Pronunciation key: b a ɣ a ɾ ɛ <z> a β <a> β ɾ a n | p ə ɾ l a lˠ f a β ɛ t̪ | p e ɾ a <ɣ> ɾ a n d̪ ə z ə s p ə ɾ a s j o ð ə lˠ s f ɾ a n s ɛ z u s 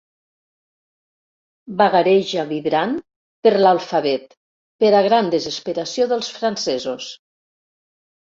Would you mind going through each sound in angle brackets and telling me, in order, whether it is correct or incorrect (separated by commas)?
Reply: incorrect, incorrect, correct